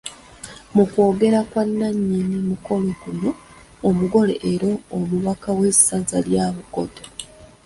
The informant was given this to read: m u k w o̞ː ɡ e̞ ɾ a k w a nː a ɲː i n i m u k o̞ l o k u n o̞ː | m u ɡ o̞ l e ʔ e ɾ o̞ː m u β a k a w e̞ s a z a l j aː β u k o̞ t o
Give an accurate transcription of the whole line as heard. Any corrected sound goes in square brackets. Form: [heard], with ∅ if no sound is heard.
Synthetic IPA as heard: m u k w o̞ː ɡ e̞ ɾ a k w a nː a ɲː i n i m u k o̞ l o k u n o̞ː | m u ɡ o̞ l e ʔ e ɾ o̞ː m u β a k a w e̞ s a z a l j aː β u k o̞ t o